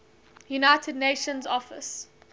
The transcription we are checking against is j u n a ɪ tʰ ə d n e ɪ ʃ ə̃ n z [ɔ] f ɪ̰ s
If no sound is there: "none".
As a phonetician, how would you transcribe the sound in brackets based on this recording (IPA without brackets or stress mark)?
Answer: ɔ